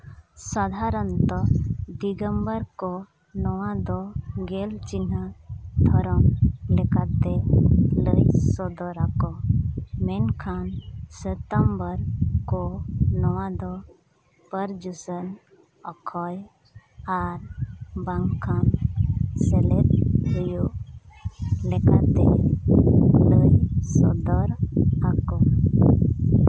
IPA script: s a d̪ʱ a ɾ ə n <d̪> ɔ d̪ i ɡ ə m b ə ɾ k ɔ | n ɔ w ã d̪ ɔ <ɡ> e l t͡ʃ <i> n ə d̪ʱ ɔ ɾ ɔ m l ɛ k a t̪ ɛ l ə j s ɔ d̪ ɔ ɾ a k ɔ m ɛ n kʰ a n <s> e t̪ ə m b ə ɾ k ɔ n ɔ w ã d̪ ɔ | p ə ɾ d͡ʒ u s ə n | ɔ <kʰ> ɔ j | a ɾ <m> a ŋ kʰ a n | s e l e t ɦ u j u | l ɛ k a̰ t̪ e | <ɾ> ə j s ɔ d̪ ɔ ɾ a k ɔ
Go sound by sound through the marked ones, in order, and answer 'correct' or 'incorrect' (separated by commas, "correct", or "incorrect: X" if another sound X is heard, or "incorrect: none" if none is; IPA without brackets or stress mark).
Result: incorrect: t̪, correct, correct, correct, correct, incorrect: b, incorrect: l